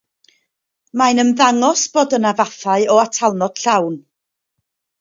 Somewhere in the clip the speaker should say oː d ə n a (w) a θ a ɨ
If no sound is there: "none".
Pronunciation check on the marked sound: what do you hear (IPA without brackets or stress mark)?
v